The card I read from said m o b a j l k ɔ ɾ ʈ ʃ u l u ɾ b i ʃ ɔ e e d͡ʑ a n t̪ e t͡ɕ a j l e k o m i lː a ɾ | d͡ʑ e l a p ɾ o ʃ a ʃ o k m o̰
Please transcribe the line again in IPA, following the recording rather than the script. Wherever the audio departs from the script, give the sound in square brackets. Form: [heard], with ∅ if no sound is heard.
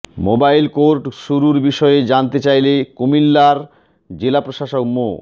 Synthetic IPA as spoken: m o b a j l k [o] ɾ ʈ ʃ u [ɾ] u ɾ b i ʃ ɔ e e d͡ʑ a n t̪ e t͡ɕ a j l e k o m i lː a ɾ | d͡ʑ e l a p ɾ o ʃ a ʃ o k m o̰

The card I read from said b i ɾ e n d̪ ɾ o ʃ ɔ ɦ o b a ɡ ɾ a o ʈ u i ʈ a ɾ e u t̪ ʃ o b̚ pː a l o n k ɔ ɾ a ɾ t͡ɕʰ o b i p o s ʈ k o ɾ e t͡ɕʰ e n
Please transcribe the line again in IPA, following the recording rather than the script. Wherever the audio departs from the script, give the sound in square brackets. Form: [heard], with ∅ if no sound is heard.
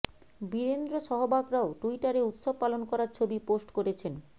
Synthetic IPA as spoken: b i ɾ e n d̪ ɾ o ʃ ɔ ɦ o b a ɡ ɾ a o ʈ u i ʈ a ɾ e u t̪ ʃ o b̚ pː a l o n k ɔ ɾ a ɾ t͡ɕʰ o b i p o s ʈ k o ɾ e t͡ɕʰ e n

